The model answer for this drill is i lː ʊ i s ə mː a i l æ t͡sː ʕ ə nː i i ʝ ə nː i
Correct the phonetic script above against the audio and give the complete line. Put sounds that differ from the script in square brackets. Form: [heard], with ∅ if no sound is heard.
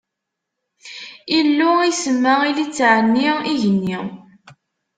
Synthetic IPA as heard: i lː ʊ i s ə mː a i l [i] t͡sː ʕ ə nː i i ʝ ə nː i